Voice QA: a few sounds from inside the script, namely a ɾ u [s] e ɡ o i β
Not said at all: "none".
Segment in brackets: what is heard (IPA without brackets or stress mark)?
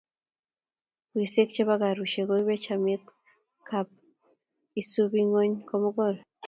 ʃ